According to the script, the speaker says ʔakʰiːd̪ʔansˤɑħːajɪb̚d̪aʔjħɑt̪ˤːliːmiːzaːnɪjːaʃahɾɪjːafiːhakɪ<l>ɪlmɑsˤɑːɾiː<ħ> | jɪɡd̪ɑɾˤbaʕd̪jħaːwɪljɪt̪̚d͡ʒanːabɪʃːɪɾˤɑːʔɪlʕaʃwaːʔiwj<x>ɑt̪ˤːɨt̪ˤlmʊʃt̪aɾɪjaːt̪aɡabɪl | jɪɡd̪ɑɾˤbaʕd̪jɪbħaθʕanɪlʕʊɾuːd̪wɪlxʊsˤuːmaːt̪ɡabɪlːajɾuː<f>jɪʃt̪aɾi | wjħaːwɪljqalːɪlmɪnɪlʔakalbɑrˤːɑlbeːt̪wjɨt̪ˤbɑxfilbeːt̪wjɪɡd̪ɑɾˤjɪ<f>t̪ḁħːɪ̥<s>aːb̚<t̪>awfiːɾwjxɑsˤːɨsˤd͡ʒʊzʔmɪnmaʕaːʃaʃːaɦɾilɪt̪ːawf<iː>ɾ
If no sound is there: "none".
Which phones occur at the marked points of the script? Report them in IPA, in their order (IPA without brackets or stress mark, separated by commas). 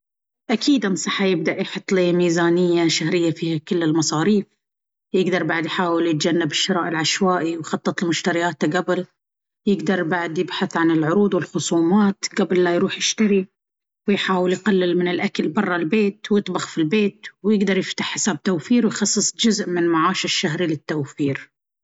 lː, f, x, ħ, f, s, t̪, iː